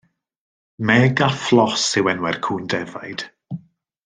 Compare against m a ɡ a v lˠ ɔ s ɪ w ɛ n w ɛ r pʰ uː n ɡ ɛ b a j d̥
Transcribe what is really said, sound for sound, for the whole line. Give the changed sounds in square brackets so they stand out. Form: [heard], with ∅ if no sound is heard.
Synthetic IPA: m [ɛ] ɡ a [f] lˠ ɔ s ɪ w ɛ n w ɛ r [kʰ] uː n [d] ɛ [v] a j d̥